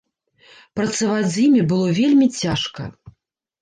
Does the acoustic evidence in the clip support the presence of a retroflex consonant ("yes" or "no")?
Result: yes